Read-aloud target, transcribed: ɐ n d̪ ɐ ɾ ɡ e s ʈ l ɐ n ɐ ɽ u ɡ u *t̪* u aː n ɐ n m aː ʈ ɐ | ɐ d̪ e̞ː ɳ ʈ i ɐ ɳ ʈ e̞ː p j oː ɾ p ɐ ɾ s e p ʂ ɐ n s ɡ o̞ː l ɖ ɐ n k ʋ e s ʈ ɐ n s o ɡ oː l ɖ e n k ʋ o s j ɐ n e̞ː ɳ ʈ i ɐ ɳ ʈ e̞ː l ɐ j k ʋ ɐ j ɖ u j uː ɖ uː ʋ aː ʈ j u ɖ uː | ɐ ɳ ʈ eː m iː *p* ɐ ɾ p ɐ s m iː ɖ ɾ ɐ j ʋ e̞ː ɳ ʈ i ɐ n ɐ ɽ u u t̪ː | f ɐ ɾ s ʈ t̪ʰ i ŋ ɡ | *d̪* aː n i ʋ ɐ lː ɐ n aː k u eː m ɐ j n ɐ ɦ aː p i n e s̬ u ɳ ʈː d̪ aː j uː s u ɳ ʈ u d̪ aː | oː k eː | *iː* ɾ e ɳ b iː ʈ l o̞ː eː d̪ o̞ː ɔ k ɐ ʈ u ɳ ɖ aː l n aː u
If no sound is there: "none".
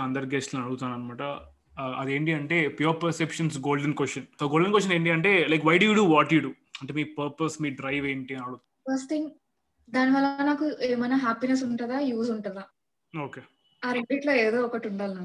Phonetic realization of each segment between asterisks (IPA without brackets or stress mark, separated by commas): t̪, p, d̪, aː